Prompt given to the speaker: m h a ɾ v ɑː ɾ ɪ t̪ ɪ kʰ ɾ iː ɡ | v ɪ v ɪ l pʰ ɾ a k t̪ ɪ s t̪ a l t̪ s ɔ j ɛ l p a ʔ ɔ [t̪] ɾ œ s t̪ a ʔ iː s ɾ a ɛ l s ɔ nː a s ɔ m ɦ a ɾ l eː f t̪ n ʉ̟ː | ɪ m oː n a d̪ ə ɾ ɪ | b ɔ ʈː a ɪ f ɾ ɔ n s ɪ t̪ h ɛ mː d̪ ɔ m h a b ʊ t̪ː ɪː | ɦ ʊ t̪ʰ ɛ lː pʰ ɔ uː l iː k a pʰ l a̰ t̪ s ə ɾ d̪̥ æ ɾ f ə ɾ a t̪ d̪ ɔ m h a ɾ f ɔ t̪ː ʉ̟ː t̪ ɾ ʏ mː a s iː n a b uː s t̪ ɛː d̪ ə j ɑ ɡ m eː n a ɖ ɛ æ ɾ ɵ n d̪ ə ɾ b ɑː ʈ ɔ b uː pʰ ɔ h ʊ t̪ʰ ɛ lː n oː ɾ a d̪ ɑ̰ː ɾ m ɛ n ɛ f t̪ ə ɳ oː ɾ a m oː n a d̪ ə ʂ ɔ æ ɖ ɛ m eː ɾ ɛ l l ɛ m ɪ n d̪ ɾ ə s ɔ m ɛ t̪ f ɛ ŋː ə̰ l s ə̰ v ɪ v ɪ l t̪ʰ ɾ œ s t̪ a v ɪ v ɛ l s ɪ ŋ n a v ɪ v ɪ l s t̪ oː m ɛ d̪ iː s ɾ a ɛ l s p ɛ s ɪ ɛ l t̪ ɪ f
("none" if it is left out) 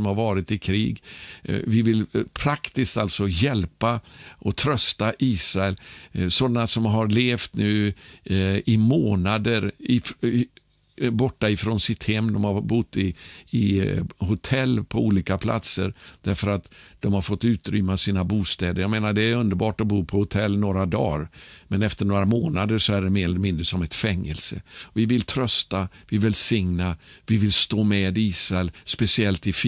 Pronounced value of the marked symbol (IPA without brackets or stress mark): t̪ʰ